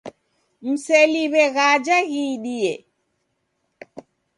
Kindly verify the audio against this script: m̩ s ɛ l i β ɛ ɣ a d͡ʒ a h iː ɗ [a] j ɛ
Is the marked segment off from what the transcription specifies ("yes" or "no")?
yes